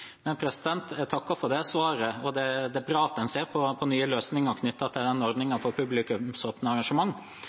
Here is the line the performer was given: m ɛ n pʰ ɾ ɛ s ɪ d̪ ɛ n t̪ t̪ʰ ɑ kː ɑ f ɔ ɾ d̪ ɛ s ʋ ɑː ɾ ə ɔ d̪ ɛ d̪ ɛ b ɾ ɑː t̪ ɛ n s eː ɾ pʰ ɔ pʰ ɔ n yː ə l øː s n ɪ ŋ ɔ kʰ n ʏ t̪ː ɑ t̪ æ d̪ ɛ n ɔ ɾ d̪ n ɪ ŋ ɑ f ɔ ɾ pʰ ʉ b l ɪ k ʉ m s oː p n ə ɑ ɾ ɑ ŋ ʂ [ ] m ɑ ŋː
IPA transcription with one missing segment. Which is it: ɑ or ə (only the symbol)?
ə